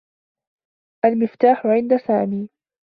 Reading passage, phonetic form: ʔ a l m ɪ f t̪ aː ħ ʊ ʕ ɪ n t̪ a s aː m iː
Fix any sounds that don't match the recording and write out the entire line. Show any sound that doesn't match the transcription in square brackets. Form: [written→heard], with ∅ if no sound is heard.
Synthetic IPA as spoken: ʔ a l m ɪ f t̪ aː ħ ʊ ʕ ɪ n [t̪→d̪] a s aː m iː